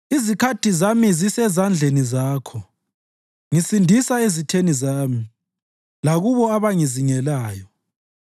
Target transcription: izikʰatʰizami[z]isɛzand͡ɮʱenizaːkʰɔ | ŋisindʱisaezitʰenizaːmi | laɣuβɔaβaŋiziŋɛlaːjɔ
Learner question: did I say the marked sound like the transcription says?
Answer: yes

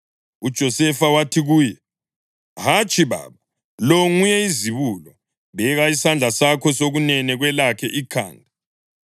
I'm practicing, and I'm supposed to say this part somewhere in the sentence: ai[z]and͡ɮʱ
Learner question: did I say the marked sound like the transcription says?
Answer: no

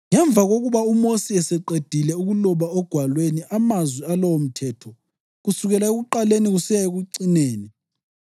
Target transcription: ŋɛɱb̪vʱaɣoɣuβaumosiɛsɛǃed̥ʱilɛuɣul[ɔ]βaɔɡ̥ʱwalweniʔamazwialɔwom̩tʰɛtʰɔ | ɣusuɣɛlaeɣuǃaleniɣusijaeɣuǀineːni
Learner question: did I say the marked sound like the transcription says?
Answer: yes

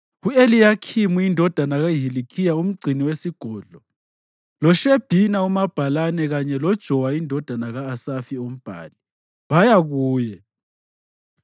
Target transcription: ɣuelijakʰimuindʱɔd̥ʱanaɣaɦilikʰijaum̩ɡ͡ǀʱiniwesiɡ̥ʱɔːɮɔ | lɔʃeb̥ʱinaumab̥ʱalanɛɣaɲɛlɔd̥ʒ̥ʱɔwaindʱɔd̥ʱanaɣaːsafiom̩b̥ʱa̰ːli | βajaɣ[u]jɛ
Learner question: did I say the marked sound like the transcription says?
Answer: no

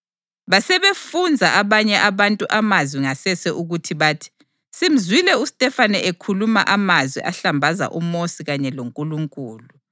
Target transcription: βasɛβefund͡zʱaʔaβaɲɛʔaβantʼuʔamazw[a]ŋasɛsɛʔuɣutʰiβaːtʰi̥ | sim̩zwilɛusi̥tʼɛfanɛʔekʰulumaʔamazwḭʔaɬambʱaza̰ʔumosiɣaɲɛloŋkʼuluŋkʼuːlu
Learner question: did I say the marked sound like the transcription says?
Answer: no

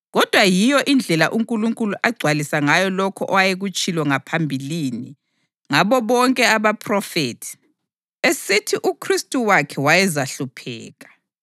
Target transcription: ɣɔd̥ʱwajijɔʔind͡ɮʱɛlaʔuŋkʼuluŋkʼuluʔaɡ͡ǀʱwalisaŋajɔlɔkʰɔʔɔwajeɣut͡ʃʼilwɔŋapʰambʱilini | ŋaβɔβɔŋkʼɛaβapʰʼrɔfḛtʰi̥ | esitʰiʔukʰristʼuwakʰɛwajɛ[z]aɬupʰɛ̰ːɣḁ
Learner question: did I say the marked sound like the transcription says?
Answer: yes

